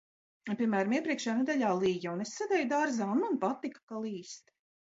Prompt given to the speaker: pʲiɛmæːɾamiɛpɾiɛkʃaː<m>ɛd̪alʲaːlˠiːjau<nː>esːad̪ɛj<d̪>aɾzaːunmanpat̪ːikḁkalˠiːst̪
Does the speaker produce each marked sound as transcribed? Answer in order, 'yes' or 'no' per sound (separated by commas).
no, no, yes